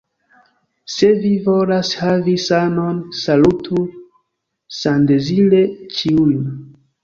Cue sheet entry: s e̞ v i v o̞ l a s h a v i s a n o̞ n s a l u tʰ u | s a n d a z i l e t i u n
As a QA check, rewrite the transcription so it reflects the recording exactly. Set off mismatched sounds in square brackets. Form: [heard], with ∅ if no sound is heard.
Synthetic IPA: s e̞ v i v o̞ l a s h a v i s a n o̞ n s a l u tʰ u | s a n d [e] z i l e [t͡ʃ] i u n